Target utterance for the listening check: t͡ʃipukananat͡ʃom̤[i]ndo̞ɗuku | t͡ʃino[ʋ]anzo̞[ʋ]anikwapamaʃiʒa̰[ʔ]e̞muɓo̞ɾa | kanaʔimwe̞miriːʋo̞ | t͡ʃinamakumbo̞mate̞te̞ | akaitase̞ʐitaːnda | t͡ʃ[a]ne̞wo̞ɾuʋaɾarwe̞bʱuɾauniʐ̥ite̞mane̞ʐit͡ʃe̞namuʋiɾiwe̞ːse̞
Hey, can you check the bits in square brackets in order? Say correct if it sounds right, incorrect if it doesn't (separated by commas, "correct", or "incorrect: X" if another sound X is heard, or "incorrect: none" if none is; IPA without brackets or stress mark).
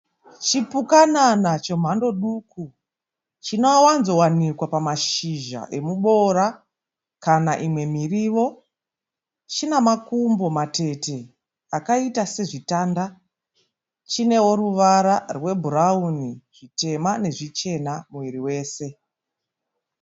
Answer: incorrect: a, incorrect: w, incorrect: w, correct, incorrect: i